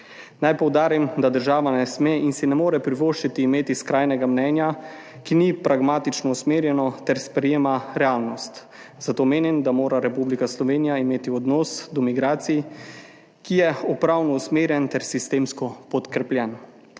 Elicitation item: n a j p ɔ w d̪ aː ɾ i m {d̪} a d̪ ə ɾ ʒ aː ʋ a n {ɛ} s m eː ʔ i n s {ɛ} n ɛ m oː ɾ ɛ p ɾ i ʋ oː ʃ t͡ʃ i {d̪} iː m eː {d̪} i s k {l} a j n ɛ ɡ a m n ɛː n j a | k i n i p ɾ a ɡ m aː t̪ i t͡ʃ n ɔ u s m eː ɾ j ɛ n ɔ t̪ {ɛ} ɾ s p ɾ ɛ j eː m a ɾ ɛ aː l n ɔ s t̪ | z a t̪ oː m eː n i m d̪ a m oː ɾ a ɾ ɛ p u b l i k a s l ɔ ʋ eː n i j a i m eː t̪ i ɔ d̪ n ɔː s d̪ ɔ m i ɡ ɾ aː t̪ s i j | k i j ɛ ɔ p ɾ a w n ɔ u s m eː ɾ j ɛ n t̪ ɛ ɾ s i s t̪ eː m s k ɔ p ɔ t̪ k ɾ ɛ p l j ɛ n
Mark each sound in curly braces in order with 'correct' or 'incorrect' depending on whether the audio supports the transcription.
correct, correct, incorrect: i, incorrect: t̪, incorrect: t̪, incorrect: ɾ, correct

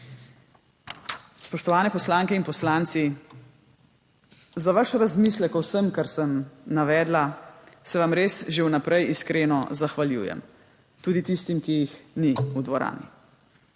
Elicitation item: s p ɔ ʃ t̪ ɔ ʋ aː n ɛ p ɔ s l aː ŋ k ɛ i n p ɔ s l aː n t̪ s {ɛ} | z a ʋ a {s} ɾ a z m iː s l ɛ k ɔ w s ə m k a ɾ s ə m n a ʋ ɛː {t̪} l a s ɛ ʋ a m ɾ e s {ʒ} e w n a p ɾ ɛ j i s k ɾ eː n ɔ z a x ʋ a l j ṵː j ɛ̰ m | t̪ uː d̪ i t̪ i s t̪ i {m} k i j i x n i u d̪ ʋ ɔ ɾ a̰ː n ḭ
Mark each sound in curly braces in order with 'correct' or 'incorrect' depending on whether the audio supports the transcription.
incorrect: i, incorrect: ʃ, incorrect: d̪, correct, correct

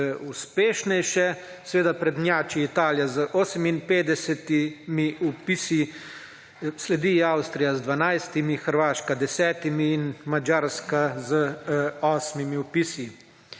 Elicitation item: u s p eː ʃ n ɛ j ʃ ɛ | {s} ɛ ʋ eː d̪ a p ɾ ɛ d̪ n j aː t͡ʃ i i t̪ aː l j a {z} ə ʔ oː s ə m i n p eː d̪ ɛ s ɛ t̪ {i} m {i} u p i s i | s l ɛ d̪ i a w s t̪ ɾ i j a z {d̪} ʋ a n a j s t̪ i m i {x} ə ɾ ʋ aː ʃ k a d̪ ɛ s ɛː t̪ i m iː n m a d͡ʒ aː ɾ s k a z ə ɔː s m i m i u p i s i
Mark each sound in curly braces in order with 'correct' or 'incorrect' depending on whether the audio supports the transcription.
correct, correct, correct, correct, correct, correct

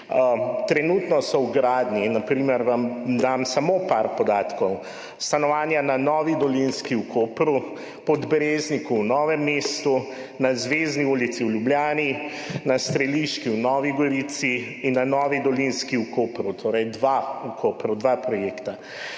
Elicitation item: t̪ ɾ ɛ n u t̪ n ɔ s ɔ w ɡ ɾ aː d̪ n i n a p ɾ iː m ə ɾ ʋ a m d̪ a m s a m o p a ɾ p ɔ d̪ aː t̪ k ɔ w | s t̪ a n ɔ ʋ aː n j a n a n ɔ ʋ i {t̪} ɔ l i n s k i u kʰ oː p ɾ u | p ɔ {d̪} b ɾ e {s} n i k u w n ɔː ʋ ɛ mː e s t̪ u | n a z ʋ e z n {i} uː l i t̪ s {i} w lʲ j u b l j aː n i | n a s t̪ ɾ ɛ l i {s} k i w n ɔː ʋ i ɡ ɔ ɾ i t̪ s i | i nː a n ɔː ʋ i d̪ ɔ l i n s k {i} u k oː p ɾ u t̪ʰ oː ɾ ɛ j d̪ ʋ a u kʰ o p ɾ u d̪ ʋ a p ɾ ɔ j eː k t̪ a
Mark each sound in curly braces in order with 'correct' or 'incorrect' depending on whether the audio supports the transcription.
incorrect: d̪, correct, incorrect: z, correct, correct, incorrect: ʃ, correct

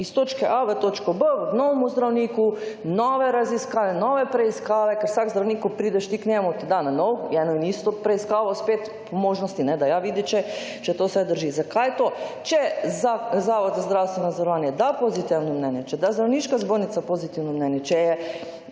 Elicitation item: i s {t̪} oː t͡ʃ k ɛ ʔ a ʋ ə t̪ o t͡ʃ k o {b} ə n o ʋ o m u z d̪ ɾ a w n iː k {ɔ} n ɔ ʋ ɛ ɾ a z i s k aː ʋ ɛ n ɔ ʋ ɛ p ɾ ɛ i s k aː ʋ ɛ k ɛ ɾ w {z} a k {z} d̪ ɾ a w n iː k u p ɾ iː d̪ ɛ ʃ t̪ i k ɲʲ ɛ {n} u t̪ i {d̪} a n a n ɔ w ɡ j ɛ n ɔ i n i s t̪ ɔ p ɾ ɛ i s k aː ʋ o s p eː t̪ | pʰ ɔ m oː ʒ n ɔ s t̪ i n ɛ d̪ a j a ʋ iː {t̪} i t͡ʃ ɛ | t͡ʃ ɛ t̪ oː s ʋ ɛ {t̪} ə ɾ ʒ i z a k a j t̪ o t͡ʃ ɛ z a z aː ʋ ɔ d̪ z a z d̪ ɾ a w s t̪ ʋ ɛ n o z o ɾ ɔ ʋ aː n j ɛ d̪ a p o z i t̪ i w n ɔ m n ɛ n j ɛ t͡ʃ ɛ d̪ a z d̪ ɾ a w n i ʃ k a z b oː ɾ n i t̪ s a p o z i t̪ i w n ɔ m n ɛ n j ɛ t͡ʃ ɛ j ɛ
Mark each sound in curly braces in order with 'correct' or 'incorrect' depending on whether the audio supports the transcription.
correct, correct, incorrect: u, incorrect: s, correct, incorrect: m, correct, incorrect: d̪, incorrect: d̪

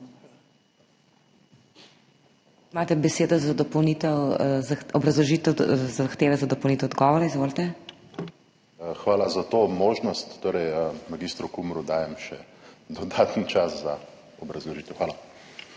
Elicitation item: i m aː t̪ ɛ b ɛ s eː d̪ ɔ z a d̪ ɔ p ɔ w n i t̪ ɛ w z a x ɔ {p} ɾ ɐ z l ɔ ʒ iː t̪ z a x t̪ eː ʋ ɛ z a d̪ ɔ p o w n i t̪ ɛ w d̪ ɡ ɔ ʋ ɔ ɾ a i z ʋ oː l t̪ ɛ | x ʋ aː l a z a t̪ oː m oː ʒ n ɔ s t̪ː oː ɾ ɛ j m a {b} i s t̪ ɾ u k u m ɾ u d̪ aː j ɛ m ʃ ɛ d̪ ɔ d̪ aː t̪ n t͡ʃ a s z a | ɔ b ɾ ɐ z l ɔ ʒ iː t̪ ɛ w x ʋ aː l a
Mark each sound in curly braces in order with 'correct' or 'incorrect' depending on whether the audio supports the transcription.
incorrect: b, incorrect: ɡ

